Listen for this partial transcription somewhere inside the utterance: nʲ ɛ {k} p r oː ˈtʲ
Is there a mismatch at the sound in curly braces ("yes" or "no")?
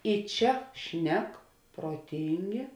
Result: no